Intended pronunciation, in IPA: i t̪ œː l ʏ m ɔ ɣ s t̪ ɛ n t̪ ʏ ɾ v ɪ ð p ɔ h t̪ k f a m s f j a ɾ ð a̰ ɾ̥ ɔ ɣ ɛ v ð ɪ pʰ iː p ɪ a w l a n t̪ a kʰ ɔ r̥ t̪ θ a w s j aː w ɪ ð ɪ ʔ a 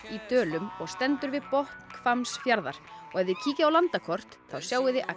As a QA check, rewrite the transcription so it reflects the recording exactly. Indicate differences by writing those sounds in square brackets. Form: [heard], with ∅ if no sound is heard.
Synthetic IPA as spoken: i t̪ œː l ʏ m ɔ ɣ s t̪ ɛ n t̪ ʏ ɾ v ɪ ð p ɔ h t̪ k f a m s f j a ɾ ð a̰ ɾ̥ ɔ ɣ ɛ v ð ɪ [cʰ] iː [c] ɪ a w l a n t̪ a kʰ ɔ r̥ t̪ θ a w s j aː w ɪ ð ɪ ʔ a